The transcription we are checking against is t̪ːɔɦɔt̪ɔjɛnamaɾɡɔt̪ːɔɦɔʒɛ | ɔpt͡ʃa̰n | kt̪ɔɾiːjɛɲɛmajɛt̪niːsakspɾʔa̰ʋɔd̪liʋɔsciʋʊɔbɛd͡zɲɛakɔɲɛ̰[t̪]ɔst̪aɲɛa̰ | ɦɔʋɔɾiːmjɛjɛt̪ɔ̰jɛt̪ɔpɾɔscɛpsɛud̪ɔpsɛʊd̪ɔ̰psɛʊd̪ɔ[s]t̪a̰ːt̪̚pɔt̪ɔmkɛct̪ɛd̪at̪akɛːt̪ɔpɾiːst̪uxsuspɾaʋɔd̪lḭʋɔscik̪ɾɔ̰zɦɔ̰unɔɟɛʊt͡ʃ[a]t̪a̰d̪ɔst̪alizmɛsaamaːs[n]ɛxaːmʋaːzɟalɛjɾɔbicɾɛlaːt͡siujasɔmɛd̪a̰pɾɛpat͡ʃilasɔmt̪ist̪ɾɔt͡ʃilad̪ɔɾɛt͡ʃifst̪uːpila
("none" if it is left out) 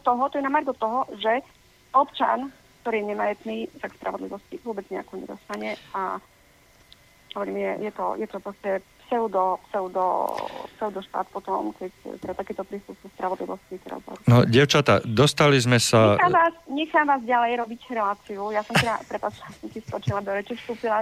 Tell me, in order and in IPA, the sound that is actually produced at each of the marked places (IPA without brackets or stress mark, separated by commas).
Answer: d̪, ʃ, a, ɲ